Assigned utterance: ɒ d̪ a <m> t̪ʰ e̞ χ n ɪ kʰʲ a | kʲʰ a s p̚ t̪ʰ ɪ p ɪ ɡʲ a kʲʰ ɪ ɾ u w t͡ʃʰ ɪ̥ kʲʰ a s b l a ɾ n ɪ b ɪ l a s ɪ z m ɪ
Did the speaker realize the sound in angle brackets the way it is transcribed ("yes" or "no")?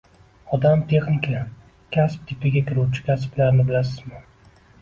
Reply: yes